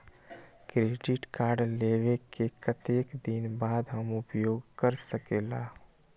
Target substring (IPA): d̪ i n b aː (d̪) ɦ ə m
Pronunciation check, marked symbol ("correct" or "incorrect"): correct